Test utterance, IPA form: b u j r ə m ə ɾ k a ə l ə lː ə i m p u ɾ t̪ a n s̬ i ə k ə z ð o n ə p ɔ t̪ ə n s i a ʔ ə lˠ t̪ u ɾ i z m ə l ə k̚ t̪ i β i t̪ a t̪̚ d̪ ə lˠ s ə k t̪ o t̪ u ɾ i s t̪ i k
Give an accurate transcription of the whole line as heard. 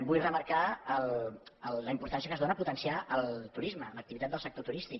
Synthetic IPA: b u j r ə m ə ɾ k a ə l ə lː ə i m p u ɾ t̪ a n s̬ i ə k ə z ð o n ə p u t̪ ə n s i a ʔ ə lˠ t̪ u ɾ i z m ə l ə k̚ t̪ i β i t̪ a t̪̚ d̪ ə lˠ s ə k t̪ o t̪ u ɾ i s t̪ i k